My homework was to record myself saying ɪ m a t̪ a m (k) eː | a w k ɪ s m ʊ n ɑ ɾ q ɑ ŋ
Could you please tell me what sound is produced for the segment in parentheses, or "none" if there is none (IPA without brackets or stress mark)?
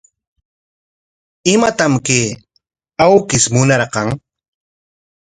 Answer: k